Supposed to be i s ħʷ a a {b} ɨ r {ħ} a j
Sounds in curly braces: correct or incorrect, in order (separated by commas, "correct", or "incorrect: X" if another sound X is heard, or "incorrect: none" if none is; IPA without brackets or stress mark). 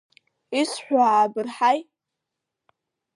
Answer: correct, correct